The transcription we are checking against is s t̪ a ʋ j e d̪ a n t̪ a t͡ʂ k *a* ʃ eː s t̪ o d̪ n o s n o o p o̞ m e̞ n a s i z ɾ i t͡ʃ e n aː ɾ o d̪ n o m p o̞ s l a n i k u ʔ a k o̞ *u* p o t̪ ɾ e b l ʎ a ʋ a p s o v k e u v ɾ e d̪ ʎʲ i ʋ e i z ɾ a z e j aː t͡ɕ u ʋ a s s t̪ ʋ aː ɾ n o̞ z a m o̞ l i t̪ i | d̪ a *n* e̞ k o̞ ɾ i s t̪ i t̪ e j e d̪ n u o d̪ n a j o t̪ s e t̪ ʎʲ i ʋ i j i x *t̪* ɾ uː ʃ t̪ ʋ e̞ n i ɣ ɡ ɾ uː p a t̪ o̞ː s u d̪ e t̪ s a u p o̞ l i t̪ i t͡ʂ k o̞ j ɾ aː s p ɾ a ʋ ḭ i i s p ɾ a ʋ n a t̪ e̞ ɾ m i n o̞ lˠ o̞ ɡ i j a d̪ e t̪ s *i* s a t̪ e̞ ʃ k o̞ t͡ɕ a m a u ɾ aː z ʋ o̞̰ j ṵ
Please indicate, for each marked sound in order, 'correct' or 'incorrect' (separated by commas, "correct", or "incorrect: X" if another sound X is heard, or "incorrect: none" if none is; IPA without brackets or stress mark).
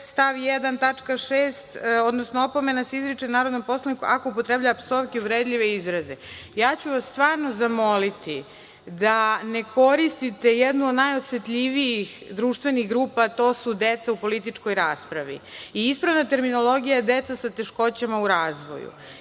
correct, correct, correct, incorrect: d̪, incorrect: a